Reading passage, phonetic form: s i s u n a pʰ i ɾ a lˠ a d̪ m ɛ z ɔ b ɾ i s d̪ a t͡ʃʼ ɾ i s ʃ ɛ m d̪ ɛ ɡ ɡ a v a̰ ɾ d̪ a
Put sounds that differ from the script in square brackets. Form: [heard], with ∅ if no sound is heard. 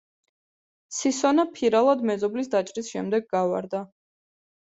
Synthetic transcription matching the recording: s i s [ɔ] n a pʰ i ɾ a lˠ a d̪ m ɛ z ɔ b [l] i s d̪ a t͡ʃʼ ɾ i s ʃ ɛ m d̪ ɛ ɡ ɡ a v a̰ ɾ d̪ a